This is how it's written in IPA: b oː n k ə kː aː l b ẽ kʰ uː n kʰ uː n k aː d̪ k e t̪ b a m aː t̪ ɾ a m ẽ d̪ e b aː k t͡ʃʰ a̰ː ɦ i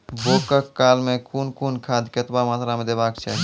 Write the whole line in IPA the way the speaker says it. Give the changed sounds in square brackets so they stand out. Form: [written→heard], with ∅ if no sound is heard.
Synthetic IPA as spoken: b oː [n→∅] k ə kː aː l [b→m] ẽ kʰ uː n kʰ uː n [k→kʰ] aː d̪ k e t̪ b a m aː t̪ ɾ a m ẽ d̪ e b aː k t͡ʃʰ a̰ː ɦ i